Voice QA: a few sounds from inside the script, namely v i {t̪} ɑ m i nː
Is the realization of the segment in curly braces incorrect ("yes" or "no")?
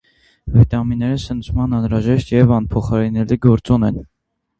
no